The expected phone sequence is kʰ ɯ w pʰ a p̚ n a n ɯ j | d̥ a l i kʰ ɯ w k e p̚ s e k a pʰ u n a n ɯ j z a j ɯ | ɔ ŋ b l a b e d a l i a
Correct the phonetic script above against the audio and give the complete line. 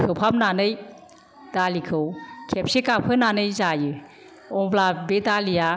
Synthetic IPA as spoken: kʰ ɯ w pʰ a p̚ n a n ɯ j | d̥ a l i kʰ ɯ w kʰ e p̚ s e k a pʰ ɯ n a n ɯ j z a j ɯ | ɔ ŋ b l a b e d a l i a